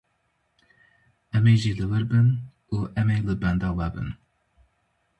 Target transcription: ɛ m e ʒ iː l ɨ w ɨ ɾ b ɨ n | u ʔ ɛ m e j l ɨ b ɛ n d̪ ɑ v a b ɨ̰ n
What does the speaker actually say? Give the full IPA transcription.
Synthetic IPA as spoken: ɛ m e ʒ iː l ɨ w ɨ ɾ b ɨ n | u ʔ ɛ m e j l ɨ b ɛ n d̪ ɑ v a b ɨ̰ n